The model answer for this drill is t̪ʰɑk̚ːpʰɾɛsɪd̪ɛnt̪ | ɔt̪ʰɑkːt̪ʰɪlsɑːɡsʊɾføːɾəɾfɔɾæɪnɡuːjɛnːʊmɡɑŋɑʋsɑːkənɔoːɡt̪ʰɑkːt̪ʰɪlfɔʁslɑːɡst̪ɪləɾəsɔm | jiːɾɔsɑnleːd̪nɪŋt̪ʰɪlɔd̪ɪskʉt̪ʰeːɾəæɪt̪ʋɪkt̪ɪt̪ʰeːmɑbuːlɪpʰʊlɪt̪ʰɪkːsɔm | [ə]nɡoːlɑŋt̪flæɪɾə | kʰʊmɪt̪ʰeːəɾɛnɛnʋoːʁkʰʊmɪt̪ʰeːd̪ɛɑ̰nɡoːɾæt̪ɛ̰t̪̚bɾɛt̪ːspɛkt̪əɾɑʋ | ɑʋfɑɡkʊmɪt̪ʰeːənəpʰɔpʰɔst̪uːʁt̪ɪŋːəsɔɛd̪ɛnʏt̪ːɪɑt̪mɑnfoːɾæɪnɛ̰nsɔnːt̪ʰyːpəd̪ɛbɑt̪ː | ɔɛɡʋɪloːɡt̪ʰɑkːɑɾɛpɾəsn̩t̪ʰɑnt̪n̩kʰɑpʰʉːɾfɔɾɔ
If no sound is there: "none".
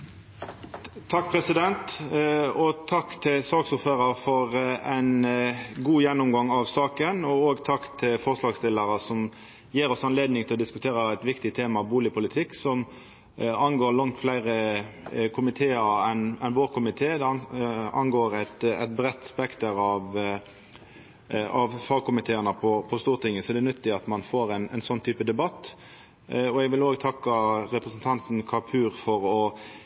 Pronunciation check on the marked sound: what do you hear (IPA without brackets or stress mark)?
ɑ